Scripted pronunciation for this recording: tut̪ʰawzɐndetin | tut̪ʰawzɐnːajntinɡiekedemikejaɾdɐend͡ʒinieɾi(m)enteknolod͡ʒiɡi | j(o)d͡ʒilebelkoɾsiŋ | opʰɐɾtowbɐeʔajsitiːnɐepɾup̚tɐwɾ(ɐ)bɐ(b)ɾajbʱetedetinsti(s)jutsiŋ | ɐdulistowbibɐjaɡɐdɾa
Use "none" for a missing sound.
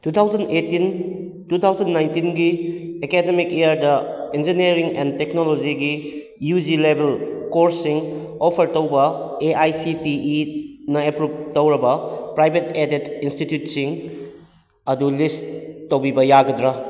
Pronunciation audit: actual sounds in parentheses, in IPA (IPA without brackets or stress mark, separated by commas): ŋ, u, ɐ, p, t